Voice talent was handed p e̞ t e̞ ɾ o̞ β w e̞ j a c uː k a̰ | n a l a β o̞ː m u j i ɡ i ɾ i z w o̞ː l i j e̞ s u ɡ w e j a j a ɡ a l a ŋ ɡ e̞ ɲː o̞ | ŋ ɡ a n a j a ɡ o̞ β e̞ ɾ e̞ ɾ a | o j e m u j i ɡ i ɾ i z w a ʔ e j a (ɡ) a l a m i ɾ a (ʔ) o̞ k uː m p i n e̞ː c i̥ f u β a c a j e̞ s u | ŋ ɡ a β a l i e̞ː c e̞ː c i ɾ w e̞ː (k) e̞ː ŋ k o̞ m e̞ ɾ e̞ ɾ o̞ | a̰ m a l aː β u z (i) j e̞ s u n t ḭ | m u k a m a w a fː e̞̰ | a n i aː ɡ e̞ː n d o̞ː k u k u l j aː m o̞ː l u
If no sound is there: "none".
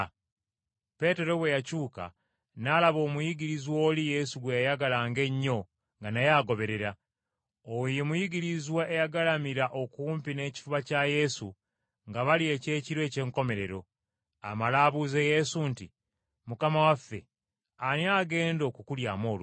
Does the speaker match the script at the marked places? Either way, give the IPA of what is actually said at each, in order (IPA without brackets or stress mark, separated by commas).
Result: ɡ, ʔ, c, e